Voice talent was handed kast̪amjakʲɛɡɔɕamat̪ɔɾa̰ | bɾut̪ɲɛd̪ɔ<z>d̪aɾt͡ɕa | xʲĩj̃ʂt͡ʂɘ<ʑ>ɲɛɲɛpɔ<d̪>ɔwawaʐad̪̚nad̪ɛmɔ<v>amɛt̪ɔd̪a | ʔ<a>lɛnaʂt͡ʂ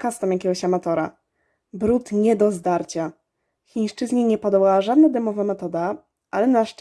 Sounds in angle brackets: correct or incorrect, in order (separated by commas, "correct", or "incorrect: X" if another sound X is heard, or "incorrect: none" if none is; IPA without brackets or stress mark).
correct, incorrect: z, correct, correct, correct